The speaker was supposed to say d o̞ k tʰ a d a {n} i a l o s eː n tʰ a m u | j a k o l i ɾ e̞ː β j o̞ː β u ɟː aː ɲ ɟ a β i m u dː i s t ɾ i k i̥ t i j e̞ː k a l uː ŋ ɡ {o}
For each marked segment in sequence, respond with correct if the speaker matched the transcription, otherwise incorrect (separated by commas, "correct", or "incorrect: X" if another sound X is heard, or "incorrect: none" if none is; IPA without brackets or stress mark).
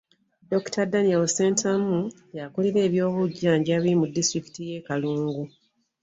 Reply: correct, incorrect: u